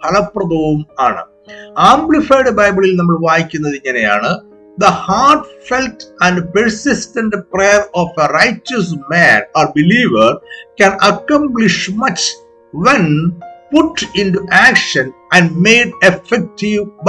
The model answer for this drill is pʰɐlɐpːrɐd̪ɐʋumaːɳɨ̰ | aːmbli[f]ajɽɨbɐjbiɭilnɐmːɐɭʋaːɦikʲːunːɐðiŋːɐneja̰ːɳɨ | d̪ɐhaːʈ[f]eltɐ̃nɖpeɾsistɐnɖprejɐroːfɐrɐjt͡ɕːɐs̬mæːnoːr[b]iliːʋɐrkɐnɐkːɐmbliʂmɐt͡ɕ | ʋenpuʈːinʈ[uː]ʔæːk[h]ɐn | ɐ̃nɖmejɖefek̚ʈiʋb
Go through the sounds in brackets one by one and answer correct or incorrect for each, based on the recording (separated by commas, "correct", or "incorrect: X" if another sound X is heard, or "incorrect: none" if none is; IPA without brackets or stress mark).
correct, correct, correct, incorrect: u, incorrect: ʂ